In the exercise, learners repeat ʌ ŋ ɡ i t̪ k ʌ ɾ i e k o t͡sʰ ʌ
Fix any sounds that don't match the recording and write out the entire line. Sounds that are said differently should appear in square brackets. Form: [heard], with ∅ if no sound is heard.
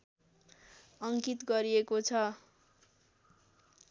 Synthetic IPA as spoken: ʌ ŋ [k] i t̪ [ɡ] ʌ ɾ i e k o t͡sʰ ʌ